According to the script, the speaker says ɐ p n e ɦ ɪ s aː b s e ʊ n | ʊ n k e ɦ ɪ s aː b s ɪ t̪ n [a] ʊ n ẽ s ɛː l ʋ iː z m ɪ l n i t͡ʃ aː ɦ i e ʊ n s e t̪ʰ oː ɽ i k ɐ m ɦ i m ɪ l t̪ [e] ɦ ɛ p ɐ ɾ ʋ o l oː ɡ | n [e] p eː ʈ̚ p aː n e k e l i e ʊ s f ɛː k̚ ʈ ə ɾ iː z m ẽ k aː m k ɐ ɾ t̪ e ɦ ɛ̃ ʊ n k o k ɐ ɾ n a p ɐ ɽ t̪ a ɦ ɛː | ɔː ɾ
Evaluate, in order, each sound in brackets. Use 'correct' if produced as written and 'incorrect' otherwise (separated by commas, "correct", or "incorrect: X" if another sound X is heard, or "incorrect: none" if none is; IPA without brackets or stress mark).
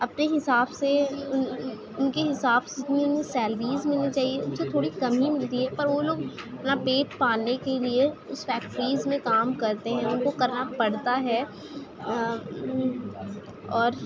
incorrect: i, incorrect: i, incorrect: a